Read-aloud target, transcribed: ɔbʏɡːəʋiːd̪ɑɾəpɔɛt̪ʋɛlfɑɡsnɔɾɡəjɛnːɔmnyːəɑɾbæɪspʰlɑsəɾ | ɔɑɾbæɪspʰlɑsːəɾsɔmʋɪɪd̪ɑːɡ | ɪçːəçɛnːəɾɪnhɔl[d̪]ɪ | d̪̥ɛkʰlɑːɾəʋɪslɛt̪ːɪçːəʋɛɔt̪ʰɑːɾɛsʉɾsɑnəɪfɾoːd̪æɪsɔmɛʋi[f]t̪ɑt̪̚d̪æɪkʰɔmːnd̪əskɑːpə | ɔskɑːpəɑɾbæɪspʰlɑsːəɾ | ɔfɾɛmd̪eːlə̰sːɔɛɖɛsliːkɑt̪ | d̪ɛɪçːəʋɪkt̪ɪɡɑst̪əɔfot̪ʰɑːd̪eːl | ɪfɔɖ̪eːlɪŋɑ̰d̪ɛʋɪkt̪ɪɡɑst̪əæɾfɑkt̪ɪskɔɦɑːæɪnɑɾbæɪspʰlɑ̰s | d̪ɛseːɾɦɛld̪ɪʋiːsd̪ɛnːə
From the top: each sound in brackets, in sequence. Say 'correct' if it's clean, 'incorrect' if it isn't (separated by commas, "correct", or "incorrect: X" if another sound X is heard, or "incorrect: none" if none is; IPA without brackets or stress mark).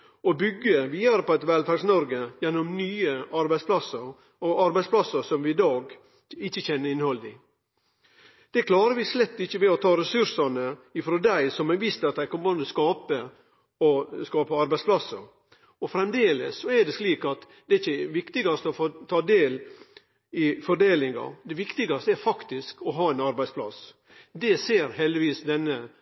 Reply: correct, incorrect: s